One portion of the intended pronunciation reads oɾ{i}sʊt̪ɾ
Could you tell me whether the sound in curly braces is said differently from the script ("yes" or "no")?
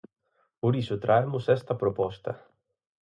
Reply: no